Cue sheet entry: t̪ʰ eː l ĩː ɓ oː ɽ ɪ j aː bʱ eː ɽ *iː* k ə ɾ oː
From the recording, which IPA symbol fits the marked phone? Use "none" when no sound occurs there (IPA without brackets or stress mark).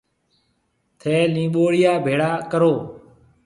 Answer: aː